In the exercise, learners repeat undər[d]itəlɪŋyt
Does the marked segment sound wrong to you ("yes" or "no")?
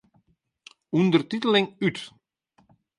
yes